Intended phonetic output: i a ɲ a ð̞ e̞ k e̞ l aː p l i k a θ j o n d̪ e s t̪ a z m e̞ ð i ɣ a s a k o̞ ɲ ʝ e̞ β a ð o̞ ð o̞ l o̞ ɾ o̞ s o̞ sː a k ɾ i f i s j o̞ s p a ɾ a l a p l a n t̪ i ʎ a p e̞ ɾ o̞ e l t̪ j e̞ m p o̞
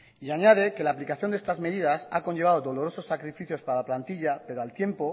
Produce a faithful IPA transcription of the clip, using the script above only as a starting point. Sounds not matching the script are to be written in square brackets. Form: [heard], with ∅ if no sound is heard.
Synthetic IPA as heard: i a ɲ a ð̞ e̞ k e̞ l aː p l i k a θ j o n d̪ e s t̪ a z m e̞ ð i [ð] a s a k o̞ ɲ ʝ e̞ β a ð o̞ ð o̞ l o̞ ɾ o̞ s o̞ sː a k ɾ i f i [θ] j o̞ s p a ɾ a l a p l a n t̪ i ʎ a p e̞ ɾ o̞ [a] l t̪ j e̞ m p o̞